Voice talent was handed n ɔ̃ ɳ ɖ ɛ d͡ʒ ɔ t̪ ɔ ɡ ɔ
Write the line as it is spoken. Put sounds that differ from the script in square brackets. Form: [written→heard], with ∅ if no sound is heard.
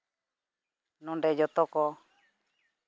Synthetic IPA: n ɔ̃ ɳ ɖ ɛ d͡ʒ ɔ t̪ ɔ [ɡ→k] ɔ